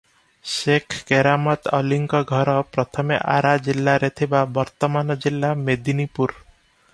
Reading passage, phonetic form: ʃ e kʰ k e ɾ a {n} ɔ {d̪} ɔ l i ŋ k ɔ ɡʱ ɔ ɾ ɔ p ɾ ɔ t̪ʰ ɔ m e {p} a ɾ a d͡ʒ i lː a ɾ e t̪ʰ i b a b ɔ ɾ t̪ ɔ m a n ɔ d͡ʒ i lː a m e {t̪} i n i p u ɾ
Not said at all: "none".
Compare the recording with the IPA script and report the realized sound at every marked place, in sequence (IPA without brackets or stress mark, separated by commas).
m, t̪, ʔ, d̪